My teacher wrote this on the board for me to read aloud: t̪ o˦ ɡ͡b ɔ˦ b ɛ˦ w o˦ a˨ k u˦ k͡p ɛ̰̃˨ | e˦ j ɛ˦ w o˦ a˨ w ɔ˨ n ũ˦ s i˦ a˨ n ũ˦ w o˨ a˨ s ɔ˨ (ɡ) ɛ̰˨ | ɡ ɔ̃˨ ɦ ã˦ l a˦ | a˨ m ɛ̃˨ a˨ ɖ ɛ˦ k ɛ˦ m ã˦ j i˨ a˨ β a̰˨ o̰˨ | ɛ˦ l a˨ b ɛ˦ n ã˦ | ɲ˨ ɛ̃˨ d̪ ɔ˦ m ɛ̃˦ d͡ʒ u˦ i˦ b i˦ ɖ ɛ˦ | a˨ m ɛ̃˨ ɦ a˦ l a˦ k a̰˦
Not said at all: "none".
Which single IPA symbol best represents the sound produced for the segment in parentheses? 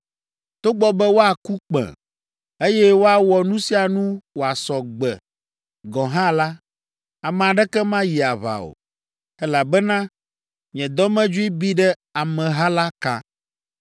ɡ͡b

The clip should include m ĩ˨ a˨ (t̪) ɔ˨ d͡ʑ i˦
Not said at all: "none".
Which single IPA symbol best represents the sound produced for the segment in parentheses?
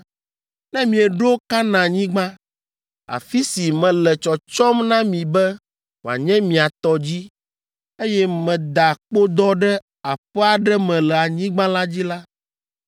t̪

